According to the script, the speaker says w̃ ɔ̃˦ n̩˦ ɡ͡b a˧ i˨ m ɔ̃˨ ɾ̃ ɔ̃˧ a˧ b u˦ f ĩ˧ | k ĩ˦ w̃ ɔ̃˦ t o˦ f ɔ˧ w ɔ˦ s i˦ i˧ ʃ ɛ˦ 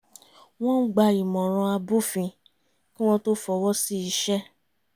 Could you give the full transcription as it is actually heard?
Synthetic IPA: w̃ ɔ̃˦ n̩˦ ɡ͡b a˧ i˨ m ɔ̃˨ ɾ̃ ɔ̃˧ a˧ b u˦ f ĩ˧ | k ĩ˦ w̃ ɔ̃˦ t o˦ f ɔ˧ w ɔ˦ s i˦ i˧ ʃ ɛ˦